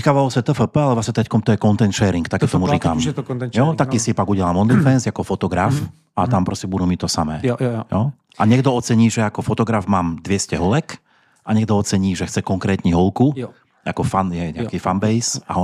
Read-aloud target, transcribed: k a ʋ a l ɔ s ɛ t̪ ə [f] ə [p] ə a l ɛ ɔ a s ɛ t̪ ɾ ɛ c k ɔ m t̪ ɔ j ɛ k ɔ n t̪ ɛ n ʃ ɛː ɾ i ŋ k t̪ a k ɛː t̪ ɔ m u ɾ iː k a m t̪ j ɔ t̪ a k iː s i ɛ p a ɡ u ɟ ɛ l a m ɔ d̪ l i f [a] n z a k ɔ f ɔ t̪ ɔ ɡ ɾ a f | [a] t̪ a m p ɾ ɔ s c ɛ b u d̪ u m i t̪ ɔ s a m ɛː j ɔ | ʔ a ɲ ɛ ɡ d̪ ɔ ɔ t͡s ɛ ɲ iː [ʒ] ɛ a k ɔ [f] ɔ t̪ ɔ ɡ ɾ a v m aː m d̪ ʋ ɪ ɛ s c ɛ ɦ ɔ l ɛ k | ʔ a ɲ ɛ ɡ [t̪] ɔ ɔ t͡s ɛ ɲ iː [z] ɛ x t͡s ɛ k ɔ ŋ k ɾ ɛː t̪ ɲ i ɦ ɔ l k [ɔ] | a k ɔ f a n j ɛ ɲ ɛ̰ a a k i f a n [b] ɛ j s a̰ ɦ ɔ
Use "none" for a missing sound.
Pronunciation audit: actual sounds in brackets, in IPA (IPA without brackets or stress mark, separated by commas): f, p, ɛ, a, ʒ, f, d̪, ʒ, u, b